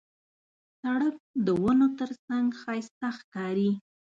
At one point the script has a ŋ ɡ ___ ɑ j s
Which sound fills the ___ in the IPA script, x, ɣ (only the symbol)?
x